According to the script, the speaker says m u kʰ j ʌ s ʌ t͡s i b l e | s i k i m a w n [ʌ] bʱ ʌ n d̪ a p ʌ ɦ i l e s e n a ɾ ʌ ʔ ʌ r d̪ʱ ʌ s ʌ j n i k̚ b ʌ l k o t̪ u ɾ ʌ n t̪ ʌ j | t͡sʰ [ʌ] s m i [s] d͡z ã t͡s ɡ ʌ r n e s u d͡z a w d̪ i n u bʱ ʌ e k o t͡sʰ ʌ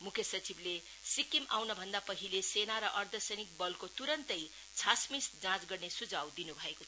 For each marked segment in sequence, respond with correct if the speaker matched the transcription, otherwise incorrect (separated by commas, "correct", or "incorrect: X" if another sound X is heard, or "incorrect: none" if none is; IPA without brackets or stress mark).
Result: correct, incorrect: a, correct